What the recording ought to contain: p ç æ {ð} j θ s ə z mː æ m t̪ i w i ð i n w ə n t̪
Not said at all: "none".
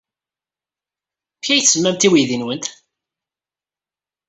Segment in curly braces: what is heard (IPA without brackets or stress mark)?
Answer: none